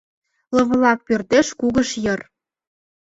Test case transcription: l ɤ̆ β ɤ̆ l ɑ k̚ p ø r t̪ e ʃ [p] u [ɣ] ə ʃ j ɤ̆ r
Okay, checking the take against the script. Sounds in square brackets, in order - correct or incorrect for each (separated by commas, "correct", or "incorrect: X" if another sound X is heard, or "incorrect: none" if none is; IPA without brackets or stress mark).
incorrect: k, correct